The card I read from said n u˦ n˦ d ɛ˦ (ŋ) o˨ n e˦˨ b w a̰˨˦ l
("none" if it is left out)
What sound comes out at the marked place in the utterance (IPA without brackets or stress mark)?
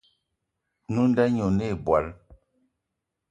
ɲ